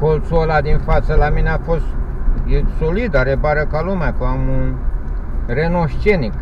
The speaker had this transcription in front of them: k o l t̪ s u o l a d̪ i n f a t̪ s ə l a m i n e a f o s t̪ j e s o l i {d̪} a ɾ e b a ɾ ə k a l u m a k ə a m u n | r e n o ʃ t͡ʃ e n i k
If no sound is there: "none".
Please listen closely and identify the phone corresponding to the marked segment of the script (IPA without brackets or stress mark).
d̪